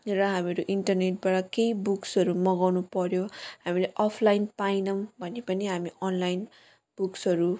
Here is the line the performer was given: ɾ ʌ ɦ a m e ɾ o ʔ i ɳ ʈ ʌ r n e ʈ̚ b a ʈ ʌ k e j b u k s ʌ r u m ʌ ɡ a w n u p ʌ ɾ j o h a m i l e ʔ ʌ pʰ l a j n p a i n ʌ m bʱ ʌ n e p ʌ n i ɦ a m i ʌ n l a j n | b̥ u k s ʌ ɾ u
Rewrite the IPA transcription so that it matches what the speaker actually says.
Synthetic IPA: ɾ ʌ ɦ a m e ɾ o ʔ i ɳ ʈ ʌ r n e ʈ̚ b a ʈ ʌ k e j b u k s ʌ ɾ u m ʌ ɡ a w n u p ʌ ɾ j o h a m i l e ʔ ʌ pʰ l a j n p a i n ʌ m bʱ ʌ n e p ʌ n i ɦ a m i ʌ n l a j n | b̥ u k s ʌ ɾ u